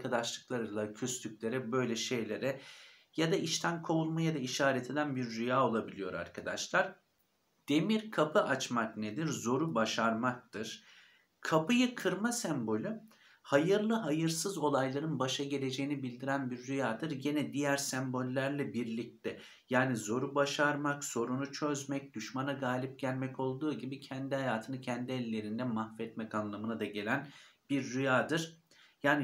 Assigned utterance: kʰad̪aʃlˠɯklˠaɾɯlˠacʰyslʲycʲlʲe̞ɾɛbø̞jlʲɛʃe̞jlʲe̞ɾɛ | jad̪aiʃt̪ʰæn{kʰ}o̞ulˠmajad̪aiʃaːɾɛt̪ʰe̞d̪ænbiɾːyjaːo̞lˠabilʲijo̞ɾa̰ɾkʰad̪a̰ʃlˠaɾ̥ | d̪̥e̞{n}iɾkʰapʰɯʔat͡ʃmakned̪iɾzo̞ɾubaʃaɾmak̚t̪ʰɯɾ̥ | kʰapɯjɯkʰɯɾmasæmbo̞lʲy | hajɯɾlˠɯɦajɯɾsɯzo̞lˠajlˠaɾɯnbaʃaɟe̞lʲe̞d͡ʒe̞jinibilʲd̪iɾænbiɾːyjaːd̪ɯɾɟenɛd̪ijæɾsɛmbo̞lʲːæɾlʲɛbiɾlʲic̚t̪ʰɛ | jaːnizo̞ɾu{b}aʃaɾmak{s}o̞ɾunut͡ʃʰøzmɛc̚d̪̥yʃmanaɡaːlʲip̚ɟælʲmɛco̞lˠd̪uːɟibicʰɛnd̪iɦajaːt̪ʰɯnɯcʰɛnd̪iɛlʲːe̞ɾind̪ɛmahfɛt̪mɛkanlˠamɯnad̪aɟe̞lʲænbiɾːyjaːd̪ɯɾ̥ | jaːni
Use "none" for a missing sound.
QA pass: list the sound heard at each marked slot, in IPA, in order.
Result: kʰ, m, b, s

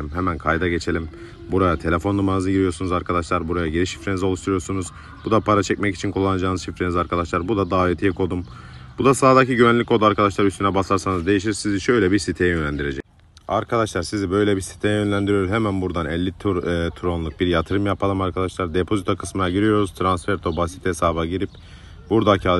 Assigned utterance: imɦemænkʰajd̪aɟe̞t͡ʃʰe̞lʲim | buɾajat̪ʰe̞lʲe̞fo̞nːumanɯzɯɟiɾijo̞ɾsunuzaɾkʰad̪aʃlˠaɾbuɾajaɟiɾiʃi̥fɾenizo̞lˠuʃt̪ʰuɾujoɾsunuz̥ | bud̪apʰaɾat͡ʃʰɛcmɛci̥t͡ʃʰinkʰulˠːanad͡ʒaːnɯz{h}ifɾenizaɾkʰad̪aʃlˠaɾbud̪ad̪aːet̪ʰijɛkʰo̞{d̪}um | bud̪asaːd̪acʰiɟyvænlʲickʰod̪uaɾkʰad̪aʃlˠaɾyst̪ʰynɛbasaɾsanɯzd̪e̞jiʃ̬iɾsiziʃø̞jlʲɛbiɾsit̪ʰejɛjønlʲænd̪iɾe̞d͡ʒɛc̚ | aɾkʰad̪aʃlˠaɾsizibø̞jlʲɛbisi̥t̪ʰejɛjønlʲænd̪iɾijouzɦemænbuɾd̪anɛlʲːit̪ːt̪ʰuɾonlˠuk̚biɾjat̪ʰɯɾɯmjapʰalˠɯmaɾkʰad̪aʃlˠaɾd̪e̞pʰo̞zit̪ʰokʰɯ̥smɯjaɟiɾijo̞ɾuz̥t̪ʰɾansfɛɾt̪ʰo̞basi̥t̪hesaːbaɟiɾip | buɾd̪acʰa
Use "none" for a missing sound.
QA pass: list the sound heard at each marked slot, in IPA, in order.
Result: ʃ, d̪

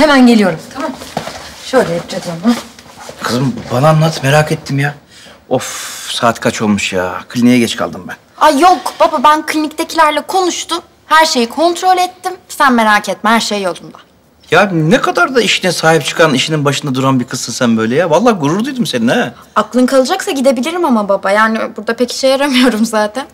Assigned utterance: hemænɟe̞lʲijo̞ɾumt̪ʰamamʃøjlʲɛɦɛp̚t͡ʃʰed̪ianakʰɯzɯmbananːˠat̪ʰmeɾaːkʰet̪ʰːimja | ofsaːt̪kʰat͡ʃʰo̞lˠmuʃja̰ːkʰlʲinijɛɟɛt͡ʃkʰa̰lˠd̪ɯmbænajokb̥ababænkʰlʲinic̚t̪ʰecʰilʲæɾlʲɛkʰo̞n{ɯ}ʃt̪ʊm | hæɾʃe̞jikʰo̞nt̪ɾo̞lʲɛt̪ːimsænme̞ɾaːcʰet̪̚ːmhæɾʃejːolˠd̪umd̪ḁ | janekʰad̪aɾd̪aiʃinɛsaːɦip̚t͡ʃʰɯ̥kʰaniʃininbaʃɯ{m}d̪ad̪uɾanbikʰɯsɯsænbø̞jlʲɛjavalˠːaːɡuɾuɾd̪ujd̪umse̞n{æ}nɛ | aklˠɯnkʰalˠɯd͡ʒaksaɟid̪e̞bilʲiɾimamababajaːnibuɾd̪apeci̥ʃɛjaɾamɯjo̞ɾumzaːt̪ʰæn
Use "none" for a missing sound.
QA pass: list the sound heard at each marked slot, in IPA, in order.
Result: u, n, i

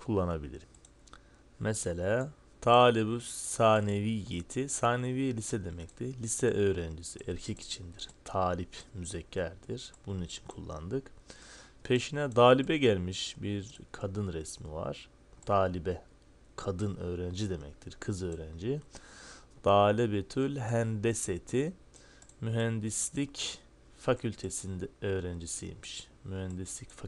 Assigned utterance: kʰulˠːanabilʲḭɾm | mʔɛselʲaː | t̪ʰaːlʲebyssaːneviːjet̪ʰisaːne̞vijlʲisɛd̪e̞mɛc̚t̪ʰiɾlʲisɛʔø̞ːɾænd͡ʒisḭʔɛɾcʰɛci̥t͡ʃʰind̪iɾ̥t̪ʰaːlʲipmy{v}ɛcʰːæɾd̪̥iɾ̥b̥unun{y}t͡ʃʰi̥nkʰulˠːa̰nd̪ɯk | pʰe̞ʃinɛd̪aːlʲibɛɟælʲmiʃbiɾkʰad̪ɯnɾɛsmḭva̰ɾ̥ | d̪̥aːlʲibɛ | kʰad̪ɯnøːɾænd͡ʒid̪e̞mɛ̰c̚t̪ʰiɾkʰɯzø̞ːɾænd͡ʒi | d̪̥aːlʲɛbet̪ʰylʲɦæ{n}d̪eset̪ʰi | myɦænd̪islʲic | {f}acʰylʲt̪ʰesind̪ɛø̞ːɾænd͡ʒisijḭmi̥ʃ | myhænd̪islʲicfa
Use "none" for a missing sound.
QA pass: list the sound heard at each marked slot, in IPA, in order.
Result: z, i, n, f

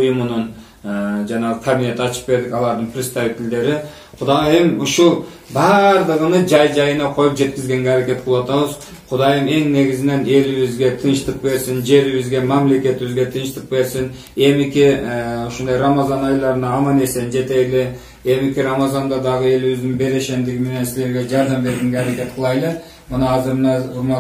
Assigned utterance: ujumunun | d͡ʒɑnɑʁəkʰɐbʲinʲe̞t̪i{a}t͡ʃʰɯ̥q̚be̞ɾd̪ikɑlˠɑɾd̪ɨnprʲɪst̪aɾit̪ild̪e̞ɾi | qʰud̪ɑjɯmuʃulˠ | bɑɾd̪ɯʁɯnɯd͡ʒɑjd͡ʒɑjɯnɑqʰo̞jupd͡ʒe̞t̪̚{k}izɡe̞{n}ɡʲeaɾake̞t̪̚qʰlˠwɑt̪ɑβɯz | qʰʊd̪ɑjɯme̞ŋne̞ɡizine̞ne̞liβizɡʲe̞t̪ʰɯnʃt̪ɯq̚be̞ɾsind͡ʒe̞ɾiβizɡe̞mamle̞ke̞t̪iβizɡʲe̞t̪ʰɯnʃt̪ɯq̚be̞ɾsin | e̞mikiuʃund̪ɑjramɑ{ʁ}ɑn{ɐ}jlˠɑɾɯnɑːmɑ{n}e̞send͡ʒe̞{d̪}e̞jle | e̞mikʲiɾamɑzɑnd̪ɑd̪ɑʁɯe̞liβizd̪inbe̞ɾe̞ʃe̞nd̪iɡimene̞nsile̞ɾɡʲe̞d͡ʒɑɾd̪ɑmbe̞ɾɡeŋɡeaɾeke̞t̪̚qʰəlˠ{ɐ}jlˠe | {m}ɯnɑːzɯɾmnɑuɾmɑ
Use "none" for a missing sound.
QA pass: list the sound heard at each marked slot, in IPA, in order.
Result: ɑ, k, ŋ, z, ɑ, n, t̪, ɑ, m

